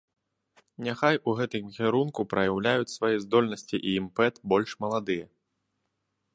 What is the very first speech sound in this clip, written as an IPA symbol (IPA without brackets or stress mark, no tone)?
nʲ